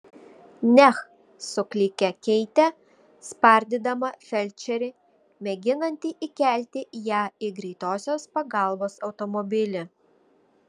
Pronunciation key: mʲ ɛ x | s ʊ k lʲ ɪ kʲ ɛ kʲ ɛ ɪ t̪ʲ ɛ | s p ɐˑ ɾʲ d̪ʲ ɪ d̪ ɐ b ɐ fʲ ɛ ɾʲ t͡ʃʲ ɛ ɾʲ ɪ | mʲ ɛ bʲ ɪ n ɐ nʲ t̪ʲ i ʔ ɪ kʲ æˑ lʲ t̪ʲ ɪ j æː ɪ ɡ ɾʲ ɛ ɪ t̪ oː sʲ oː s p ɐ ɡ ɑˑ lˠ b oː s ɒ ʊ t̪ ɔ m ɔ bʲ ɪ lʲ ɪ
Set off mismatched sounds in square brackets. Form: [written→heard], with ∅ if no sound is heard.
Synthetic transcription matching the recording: [mʲ→nʲ] ɛ x | s ʊ k lʲ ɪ kʲ ɛ kʲ ɛ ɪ t̪ʲ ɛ | s p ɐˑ ɾʲ d̪ʲ ɪ d̪ ɐ [b→m] ɐ fʲ ɛ [ɾʲ→lʲ] t͡ʃʲ ɛ ɾʲ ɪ | mʲ ɛ [bʲ→ɡʲ] ɪ n ɐ nʲ t̪ʲ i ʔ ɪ kʲ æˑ lʲ t̪ʲ ɪ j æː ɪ ɡ ɾʲ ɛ ɪ t̪ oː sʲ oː s p ɐ ɡ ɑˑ lˠ b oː s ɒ ʊ t̪ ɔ m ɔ bʲ ɪ lʲ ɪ